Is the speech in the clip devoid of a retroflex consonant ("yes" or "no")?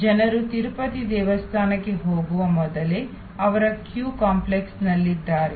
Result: yes